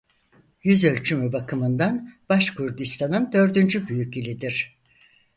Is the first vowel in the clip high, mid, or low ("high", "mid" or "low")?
high